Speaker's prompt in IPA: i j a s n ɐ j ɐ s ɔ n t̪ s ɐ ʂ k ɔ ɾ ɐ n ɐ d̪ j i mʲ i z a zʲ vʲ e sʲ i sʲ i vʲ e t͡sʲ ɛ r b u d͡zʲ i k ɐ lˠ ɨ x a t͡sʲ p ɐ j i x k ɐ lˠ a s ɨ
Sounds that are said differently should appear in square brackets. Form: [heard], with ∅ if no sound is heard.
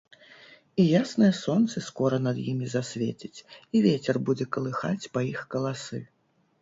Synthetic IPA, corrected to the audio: i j a s n ɐ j ɐ s ɔ n t̪ s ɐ [s] k ɔ ɾ ɐ n ɐ d̪ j i mʲ i z a [sʲ] vʲ e [t͡sʲ] i [t͡sʲ] i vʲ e t͡sʲ ɛ r b u d͡zʲ [ɛ] k ɐ lˠ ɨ x a t͡sʲ p ɐ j i x k ɐ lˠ a s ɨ